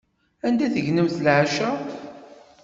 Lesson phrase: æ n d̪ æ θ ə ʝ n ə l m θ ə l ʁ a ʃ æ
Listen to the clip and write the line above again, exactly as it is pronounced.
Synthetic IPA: æ n d̪ æ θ ə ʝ n ə m θ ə l ʕ a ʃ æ